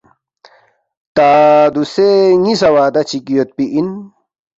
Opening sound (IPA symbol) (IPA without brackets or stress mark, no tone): t̪